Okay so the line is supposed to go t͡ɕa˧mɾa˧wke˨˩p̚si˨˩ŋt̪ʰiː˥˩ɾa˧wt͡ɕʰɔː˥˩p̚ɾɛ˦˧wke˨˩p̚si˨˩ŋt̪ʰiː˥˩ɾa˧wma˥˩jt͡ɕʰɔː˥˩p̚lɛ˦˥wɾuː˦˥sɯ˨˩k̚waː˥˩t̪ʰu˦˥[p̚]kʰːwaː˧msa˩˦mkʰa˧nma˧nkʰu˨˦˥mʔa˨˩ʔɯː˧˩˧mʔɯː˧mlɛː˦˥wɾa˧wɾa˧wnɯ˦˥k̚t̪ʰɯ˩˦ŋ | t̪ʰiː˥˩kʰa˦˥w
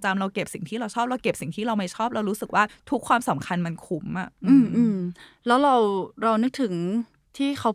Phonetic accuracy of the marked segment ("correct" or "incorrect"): incorrect